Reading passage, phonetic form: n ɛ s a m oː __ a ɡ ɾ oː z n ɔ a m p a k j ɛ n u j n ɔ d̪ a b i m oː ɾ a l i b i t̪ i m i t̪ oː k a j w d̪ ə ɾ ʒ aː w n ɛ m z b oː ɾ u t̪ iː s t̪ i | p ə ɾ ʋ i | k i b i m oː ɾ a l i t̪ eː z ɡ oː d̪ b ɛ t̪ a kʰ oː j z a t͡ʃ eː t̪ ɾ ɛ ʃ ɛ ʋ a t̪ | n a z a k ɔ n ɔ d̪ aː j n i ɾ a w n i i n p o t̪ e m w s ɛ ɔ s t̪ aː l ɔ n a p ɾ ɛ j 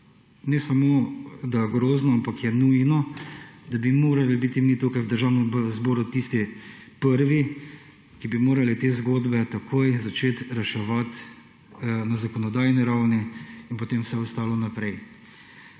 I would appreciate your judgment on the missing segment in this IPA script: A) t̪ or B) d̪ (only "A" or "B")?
B